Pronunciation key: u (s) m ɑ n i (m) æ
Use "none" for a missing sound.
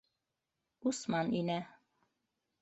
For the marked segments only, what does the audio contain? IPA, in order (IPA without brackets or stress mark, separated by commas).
s, n